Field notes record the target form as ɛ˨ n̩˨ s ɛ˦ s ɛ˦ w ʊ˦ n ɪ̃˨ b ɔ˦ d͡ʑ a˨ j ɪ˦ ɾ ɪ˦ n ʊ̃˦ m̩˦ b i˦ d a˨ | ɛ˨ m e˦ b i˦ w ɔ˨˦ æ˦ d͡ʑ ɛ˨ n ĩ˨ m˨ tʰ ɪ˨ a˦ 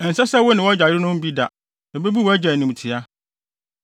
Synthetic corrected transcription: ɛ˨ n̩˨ s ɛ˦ s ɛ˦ w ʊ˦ n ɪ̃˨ w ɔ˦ d͡ʑ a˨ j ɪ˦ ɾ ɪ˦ n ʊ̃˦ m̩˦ b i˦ d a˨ | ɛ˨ b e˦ b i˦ w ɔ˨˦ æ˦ d͡ʑ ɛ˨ n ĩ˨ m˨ tʰ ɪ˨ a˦